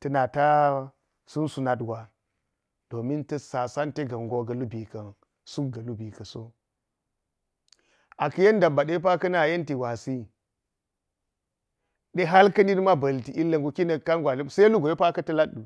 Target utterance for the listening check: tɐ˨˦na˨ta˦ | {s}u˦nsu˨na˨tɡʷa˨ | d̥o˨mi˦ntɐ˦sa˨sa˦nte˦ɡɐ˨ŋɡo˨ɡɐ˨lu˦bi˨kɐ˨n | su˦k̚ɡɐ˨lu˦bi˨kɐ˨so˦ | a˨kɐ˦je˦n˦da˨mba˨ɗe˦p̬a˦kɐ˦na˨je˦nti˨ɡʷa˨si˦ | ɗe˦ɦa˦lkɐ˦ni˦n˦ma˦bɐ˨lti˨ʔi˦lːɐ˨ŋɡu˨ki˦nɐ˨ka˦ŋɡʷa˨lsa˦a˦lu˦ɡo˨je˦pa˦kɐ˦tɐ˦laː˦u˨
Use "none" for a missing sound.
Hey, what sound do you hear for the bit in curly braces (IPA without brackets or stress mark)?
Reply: s